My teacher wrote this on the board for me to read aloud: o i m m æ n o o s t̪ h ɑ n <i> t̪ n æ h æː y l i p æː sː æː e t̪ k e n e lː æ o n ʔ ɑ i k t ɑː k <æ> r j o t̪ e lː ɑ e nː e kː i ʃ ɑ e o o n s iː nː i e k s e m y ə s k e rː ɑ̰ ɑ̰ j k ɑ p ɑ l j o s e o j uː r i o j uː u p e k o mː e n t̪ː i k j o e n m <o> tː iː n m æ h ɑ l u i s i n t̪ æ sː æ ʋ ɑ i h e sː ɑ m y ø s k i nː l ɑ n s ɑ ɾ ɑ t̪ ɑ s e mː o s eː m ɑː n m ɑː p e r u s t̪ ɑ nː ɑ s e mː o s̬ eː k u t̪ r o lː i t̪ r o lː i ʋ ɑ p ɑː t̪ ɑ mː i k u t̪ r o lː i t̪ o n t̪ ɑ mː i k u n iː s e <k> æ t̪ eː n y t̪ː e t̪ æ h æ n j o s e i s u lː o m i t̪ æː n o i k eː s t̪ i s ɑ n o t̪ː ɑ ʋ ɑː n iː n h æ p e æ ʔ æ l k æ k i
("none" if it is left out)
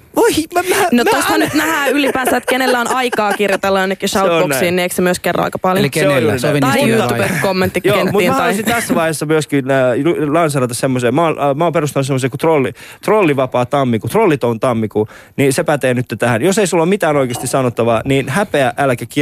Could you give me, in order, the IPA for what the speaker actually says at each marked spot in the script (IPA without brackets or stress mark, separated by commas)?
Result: y, i, u, p